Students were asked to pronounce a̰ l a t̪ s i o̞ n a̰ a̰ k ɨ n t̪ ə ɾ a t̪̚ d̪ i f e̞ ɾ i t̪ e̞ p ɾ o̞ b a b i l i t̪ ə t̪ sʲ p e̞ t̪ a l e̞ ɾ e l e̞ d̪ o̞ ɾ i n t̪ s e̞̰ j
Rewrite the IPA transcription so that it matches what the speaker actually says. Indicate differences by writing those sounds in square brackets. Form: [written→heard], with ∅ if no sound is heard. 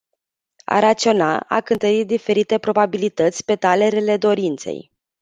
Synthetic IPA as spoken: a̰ [l→ɾ] a t̪ s i o̞ n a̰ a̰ k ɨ n t̪ ə ɾ [a→i] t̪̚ d̪ i f e̞ ɾ i t̪ e̞ p ɾ o̞ b a b i l i t̪ ə t̪ sʲ p e̞ t̪ a l e̞ ɾ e l e̞ d̪ o̞ ɾ i n t̪ s e̞̰ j